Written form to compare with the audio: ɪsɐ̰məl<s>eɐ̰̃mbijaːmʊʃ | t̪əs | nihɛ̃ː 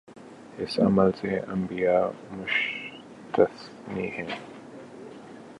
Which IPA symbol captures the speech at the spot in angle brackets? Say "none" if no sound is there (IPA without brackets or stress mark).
s